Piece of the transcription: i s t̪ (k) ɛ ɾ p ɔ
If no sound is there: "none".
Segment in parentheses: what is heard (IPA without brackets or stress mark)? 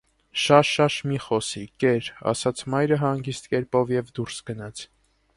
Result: k